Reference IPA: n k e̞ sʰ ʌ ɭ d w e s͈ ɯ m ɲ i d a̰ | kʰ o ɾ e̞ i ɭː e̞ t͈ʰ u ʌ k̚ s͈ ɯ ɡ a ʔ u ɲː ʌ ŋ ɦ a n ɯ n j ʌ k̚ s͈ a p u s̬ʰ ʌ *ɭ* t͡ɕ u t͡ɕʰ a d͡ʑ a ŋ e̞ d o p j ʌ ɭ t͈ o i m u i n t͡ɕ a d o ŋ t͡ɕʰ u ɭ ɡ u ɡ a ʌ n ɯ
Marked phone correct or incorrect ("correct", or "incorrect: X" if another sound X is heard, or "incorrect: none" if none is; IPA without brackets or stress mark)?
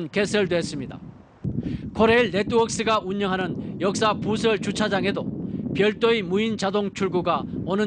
correct